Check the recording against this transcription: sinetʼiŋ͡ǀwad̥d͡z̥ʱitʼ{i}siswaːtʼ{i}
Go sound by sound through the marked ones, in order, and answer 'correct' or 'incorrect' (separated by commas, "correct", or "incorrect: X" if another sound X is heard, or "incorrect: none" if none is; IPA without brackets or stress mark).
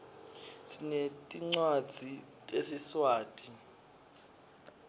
incorrect: e, correct